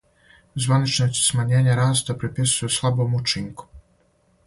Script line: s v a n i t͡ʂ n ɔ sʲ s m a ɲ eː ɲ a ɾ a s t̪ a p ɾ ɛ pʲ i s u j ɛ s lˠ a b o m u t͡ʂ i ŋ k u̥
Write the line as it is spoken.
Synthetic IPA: z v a n i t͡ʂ n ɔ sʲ s m a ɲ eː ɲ a ɾ a s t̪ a p ɾ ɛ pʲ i s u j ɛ s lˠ a b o m u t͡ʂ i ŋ k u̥